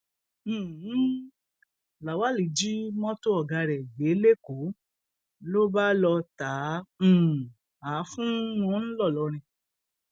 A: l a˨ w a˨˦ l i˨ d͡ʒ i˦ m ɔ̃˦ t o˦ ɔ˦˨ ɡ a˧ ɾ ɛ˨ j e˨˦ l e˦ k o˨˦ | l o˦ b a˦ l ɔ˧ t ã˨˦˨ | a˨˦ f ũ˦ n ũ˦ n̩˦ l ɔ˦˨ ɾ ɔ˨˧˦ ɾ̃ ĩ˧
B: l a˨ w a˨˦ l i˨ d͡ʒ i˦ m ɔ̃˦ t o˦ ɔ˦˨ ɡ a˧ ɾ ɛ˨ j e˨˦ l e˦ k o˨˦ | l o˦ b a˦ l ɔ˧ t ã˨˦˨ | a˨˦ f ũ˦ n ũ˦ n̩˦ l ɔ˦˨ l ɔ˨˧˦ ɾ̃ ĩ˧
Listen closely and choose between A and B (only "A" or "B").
B